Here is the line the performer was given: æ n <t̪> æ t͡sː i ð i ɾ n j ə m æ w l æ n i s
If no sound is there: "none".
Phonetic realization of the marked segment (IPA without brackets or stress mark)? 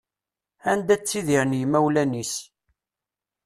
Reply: d̪